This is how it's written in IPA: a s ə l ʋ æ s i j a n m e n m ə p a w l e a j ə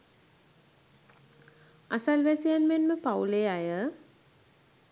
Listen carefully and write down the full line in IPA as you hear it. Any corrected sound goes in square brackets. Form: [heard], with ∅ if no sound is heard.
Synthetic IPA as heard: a s [a] l ʋ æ s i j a n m e n m ə p a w l e a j ə